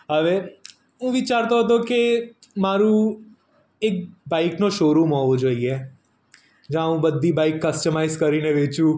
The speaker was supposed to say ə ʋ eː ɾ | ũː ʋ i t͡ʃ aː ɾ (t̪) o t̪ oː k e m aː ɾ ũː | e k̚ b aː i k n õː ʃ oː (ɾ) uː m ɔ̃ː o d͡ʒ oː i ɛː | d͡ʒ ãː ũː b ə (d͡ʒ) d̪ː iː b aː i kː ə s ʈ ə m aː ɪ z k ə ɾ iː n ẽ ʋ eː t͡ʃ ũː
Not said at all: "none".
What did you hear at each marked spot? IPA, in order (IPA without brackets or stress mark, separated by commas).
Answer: t̪, ɾ, none